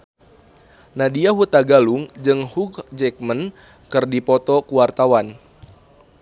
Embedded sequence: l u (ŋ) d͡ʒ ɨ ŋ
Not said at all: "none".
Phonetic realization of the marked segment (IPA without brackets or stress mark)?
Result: ŋ